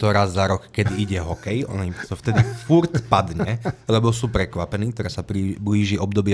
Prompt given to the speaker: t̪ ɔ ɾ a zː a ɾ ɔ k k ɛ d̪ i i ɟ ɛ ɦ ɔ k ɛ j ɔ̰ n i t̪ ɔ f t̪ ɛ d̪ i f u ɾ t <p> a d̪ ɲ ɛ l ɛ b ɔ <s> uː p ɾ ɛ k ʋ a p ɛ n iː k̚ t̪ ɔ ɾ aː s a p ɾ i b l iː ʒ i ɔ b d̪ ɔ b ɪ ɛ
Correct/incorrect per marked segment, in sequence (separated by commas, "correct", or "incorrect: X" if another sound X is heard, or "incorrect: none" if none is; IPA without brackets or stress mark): correct, correct